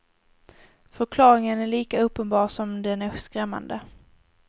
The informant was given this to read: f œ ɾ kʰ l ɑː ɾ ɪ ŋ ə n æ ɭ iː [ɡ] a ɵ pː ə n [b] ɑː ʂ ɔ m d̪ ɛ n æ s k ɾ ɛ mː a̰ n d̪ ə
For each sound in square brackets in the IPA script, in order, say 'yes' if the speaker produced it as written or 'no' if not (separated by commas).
no, yes